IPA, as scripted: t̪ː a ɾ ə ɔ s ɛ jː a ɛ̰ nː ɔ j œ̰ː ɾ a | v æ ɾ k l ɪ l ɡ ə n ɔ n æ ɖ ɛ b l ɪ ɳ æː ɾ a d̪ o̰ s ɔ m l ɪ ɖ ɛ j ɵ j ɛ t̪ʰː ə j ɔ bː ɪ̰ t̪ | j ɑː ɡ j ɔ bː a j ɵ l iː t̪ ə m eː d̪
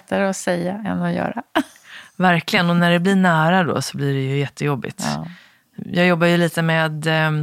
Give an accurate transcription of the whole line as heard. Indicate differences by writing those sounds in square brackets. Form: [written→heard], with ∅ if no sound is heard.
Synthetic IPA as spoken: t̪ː a ɾ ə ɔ s ɛ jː a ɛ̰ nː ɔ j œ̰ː ɾ a | v æ ɾ k l ɪ [l→∅] ɡ ə n ɔ n æ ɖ ɛ b l ɪ ɳ æː ɾ a d̪ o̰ s ɔ [m→b] l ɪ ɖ ɛ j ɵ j ɛ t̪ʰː ə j ɔ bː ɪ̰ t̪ | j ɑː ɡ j ɔ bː a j ɵ l iː t̪ ə m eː d̪